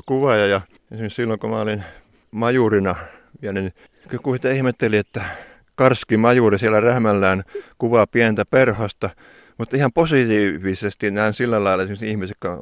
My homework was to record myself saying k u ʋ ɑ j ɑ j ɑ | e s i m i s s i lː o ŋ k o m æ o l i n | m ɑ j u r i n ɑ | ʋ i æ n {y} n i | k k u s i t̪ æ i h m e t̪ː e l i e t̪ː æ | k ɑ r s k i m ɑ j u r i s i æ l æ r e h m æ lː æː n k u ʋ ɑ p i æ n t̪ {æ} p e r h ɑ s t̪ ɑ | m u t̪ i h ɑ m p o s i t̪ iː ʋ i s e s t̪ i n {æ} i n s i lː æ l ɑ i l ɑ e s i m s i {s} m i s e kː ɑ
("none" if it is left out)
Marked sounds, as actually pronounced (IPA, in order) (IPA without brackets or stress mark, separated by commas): y, æ, æ, h